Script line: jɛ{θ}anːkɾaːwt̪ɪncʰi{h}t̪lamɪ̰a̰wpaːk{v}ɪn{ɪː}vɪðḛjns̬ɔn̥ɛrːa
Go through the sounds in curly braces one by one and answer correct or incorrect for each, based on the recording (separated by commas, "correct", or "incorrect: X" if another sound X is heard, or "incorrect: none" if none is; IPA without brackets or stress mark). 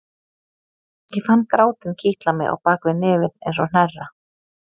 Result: incorrect: f, correct, correct, correct